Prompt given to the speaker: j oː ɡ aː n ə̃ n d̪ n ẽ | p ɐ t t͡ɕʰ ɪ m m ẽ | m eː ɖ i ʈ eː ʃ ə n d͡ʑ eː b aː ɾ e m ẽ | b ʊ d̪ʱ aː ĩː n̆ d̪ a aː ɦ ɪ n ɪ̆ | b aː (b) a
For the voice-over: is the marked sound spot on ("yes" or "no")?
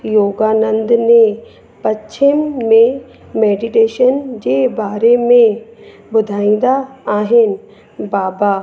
yes